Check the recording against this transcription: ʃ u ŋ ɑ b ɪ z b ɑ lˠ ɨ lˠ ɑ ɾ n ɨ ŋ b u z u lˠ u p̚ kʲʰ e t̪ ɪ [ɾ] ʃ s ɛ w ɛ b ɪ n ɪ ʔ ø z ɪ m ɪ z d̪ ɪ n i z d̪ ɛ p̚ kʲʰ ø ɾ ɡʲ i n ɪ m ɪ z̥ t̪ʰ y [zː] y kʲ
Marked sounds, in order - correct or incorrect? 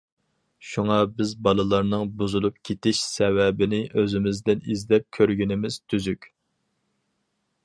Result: incorrect, incorrect

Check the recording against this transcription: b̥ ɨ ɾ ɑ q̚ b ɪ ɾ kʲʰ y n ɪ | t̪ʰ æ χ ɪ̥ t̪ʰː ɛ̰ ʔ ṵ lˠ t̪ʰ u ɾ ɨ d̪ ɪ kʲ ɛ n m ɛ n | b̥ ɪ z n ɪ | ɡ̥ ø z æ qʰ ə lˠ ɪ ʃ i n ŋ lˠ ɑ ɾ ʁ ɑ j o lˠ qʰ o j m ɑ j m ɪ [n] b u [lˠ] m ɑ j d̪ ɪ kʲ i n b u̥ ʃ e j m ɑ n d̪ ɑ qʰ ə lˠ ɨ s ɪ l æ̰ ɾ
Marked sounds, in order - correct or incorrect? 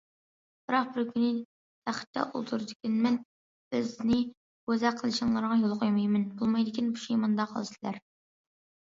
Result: correct, correct

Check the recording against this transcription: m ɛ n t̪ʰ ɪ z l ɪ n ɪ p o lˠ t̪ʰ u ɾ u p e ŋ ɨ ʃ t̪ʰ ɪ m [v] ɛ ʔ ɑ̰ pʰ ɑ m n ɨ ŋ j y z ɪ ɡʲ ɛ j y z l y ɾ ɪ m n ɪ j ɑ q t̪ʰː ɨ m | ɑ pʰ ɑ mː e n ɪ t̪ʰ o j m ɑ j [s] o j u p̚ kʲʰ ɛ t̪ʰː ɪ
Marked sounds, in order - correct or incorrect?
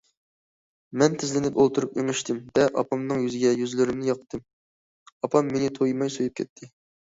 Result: correct, correct

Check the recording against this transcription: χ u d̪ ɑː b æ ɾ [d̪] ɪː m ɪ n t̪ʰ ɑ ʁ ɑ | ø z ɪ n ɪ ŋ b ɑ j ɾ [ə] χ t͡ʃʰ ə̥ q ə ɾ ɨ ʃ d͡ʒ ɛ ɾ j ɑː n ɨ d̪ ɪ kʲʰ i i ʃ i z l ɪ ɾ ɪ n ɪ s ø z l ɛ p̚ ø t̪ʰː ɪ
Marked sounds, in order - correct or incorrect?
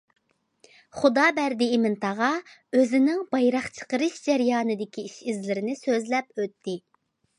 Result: correct, incorrect

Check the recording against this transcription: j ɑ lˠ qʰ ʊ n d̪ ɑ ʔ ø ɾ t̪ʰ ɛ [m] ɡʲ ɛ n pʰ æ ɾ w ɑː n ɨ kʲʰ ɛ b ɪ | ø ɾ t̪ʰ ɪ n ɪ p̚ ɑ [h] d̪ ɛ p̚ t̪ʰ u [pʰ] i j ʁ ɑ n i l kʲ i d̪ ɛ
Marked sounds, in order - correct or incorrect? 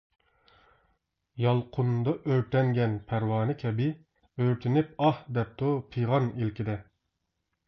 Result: incorrect, correct, correct

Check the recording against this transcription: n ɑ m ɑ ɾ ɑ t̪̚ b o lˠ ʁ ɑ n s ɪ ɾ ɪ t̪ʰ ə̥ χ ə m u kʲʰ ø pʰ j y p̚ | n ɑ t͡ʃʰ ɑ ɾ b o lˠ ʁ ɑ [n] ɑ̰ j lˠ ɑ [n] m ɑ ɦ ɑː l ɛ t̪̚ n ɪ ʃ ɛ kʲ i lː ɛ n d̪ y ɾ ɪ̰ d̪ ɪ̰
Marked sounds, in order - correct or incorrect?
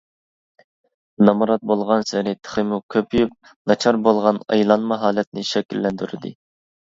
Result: correct, correct

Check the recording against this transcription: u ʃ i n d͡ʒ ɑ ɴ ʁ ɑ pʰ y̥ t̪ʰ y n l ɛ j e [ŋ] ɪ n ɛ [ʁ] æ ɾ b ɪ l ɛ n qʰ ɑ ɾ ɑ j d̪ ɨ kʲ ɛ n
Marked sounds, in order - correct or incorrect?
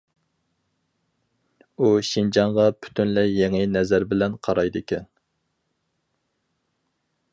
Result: correct, incorrect

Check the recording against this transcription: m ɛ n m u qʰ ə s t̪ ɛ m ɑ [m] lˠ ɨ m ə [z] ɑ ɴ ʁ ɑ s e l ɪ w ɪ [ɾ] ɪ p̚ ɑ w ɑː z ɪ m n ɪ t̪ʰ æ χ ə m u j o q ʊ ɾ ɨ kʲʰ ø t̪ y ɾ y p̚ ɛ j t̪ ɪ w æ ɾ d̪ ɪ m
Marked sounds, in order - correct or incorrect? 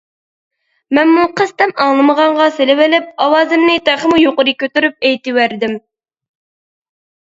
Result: incorrect, incorrect, incorrect

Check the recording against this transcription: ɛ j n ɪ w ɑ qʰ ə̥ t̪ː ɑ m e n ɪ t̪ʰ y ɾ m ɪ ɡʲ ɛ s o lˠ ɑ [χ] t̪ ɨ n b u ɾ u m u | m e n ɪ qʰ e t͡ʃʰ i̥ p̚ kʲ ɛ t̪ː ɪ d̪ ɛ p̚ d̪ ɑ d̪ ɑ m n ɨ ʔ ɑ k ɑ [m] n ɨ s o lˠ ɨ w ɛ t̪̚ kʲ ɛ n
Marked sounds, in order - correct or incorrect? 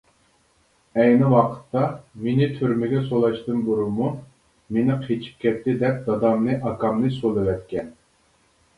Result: incorrect, correct

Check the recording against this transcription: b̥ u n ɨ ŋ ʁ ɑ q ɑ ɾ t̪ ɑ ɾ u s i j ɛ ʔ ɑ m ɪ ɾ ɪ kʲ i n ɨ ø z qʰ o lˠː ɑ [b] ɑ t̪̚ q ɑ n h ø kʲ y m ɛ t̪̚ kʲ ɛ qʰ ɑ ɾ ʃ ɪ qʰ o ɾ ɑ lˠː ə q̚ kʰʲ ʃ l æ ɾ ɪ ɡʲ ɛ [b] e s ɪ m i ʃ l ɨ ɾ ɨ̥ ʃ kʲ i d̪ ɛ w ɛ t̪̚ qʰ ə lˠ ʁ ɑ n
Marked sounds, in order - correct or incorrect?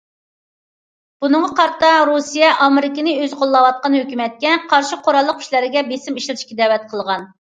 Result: incorrect, correct

